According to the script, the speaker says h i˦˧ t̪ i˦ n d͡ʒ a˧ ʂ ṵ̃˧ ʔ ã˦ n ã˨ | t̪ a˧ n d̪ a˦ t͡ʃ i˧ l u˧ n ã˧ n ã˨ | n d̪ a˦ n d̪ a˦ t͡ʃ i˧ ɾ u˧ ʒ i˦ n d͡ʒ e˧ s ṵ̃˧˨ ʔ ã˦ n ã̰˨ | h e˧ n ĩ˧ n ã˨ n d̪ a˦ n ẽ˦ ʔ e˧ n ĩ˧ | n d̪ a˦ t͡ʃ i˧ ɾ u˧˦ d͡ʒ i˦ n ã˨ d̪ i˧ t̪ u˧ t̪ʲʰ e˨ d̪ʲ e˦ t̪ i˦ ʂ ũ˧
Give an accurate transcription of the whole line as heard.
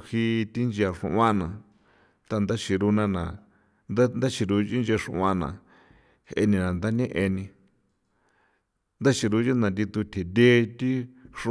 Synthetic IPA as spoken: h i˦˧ t̪ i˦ n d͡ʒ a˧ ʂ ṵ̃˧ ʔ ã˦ n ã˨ | t̪ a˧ n d̪ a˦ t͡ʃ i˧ ɾ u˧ n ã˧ n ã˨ | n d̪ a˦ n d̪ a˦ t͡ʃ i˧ ɾ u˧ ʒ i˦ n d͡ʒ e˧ ʂ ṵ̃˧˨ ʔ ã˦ n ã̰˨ | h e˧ n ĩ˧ n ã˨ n d̪ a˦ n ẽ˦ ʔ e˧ n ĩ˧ | n d̪ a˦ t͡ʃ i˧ ɾ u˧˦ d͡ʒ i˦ n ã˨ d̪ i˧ t̪ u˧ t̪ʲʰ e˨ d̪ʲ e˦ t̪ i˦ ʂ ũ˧